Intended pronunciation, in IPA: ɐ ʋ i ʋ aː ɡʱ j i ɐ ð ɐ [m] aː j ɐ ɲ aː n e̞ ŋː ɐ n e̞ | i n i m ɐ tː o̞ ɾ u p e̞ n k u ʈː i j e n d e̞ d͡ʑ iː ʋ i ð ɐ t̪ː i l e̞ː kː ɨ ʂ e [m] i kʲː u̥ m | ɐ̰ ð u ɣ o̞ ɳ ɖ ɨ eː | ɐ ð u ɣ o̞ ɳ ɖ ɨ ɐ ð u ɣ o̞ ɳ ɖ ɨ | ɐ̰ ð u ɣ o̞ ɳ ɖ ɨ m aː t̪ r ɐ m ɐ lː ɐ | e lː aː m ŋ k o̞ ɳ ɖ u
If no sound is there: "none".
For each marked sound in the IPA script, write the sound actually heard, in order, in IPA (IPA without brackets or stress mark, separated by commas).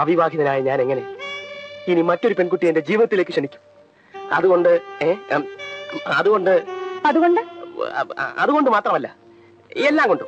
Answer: n, ɳ